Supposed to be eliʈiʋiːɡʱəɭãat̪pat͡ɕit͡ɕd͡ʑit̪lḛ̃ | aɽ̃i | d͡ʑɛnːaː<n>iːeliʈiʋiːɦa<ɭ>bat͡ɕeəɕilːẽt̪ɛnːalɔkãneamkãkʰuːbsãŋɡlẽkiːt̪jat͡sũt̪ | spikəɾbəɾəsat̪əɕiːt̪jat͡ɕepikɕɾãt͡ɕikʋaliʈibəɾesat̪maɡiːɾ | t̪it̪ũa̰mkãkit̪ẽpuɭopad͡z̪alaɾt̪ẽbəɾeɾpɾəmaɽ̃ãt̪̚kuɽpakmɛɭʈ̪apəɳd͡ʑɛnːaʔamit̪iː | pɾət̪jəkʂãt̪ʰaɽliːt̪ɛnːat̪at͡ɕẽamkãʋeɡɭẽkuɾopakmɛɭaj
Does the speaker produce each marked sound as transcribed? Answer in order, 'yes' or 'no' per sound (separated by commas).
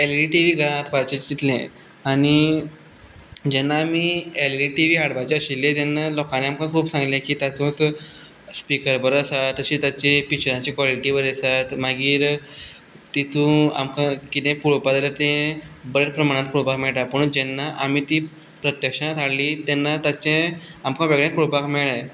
no, no